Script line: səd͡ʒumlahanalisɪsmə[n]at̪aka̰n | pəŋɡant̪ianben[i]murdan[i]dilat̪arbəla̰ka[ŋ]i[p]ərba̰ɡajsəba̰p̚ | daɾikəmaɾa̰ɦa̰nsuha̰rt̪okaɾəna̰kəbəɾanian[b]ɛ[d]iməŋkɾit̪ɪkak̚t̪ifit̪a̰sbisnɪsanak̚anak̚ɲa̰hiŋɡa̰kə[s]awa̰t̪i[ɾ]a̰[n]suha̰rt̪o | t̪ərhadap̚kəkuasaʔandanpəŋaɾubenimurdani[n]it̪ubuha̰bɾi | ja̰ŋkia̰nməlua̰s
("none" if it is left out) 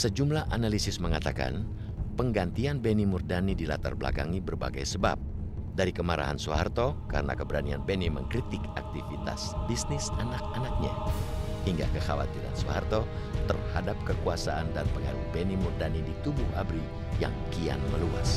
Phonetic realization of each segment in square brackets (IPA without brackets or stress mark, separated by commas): ŋ, i, i, ŋ, b, b, n, x, ɾ, n, d